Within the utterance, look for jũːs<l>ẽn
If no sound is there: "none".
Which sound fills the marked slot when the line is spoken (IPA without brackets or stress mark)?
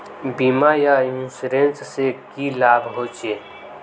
ɾ